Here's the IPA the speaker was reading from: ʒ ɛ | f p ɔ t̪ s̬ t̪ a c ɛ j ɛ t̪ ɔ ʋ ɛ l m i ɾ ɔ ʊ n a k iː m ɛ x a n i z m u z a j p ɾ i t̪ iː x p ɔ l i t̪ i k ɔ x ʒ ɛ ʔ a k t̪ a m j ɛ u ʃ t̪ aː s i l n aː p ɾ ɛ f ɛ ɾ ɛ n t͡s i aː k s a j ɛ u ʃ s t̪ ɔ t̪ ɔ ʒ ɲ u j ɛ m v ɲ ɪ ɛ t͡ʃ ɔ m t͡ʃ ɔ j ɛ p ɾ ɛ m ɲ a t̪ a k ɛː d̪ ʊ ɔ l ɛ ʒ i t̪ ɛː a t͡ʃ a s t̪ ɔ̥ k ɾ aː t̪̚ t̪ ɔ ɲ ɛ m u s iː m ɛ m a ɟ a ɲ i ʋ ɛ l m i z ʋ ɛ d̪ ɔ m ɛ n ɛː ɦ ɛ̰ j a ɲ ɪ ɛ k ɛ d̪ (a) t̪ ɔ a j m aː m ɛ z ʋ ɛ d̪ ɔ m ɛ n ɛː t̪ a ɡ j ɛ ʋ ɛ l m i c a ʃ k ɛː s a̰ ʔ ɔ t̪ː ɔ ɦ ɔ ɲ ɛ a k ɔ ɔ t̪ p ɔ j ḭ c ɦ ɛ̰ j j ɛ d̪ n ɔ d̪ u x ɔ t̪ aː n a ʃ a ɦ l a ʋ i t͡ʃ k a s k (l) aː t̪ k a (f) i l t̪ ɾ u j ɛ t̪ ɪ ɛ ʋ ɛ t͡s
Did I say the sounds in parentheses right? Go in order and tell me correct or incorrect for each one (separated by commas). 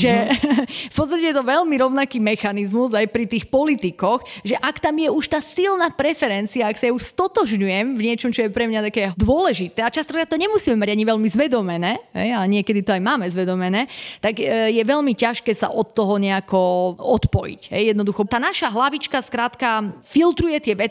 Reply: incorrect, incorrect, correct